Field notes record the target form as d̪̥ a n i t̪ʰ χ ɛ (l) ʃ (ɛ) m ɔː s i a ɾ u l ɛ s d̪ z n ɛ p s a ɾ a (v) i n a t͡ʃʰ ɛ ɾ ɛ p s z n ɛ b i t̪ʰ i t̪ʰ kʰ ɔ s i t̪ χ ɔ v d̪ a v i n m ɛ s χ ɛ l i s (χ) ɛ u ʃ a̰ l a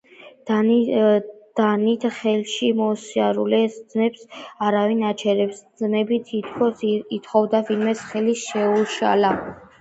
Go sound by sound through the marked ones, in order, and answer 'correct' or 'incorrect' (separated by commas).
correct, incorrect, correct, incorrect